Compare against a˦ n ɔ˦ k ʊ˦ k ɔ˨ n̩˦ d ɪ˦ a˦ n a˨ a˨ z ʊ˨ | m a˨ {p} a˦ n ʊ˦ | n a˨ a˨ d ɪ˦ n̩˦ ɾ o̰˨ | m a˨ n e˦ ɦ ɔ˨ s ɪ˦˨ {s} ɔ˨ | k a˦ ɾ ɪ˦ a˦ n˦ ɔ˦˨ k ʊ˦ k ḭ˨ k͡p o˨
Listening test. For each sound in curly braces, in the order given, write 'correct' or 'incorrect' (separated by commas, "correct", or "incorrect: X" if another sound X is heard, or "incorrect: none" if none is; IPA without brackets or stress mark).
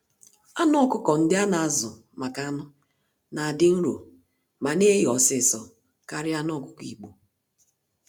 incorrect: k, correct